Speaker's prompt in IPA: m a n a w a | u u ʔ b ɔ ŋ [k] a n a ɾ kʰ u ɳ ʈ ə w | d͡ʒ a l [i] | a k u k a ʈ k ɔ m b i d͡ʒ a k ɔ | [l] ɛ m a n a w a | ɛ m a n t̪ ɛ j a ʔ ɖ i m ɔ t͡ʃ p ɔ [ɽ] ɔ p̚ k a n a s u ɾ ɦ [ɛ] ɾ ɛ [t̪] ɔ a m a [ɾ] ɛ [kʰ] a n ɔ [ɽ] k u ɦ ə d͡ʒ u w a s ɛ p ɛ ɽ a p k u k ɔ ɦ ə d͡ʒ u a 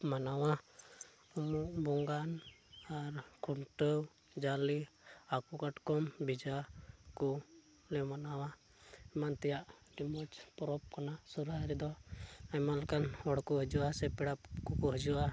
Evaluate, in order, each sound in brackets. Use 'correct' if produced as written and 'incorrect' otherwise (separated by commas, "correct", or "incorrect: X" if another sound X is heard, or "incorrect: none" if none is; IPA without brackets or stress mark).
incorrect: ɡ, correct, correct, incorrect: ɾ, incorrect: a, incorrect: d̪, incorrect: l, incorrect: k, correct